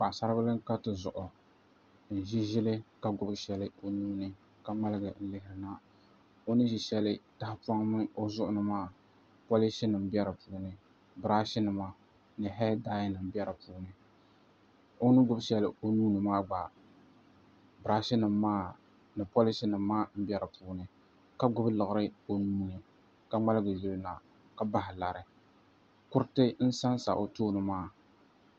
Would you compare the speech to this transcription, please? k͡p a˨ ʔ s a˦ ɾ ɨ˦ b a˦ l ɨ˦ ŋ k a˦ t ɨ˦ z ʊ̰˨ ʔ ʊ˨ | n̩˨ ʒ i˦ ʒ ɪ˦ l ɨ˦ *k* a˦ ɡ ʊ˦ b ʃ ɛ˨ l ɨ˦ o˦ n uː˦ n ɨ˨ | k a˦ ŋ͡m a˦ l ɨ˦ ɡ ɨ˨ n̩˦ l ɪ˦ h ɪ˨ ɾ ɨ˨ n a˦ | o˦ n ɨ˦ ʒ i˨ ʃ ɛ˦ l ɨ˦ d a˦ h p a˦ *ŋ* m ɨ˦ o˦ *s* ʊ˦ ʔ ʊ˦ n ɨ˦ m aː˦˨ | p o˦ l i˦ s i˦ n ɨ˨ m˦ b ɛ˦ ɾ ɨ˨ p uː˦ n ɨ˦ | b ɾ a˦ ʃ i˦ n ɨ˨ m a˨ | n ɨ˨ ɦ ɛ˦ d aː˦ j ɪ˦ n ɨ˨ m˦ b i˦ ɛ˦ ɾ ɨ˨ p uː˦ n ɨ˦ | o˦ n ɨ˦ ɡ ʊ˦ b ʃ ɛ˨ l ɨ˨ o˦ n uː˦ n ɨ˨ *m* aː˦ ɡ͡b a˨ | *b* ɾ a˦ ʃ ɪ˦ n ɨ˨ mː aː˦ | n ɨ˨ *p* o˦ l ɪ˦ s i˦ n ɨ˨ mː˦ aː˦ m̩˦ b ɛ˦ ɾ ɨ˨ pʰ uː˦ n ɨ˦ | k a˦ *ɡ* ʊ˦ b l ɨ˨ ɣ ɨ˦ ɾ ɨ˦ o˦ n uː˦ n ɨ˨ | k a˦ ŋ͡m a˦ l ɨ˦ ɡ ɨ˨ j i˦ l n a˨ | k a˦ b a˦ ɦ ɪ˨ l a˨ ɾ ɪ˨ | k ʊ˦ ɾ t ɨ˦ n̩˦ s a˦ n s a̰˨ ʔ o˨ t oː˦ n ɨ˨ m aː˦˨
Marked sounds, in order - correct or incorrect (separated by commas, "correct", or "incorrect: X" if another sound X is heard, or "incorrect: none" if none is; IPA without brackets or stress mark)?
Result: correct, correct, incorrect: z, correct, correct, correct, correct